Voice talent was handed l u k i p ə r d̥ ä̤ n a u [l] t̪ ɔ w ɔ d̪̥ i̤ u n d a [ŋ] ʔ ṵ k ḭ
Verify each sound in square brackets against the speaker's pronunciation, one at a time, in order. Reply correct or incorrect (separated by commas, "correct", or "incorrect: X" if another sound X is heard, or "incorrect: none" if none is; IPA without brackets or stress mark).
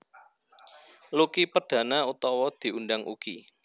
incorrect: none, correct